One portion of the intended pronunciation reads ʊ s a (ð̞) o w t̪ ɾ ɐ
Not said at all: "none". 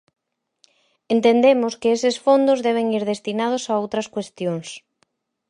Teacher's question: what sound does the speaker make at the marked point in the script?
none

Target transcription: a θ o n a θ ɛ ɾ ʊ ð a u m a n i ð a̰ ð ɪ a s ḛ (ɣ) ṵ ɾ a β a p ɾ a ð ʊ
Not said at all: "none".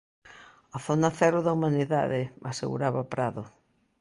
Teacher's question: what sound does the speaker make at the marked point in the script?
ɣ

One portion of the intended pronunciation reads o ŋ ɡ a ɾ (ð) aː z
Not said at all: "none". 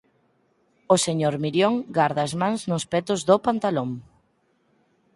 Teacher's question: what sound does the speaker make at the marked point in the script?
ð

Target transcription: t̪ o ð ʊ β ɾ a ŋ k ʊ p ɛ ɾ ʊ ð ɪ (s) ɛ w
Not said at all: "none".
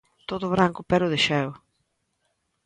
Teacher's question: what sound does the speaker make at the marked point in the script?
ʃ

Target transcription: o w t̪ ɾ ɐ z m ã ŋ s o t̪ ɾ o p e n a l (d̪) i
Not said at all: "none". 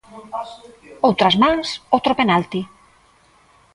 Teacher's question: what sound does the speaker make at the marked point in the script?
t̪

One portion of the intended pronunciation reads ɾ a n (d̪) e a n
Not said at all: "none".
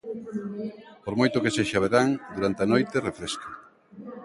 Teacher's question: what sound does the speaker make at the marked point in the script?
t̪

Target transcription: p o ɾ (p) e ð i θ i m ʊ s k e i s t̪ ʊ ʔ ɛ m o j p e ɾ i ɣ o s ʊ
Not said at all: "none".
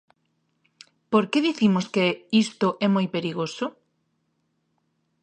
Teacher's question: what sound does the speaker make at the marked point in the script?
k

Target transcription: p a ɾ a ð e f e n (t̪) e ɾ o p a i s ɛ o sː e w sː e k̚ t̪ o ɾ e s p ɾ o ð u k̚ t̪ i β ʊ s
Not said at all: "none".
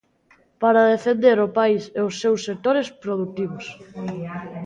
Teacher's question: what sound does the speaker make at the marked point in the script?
d̪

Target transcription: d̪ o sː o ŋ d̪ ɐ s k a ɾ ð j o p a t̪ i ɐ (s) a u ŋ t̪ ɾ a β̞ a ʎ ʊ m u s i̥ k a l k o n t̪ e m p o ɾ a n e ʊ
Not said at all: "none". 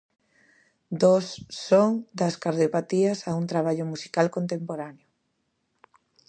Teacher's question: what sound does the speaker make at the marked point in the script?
s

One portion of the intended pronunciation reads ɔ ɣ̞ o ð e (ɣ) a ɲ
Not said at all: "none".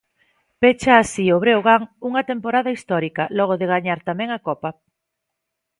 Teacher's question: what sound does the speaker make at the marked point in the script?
ɣ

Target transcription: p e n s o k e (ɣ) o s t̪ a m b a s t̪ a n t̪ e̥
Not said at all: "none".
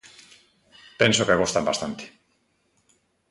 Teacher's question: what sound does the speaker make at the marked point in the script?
ɣ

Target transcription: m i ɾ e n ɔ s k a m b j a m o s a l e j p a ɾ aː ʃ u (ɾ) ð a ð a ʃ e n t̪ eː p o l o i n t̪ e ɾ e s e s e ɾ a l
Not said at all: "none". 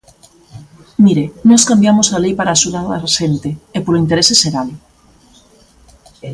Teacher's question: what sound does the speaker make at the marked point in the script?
none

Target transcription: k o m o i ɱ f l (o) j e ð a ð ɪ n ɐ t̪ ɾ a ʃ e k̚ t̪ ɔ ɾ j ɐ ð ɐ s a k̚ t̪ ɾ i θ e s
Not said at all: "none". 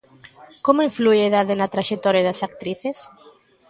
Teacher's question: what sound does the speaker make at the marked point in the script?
u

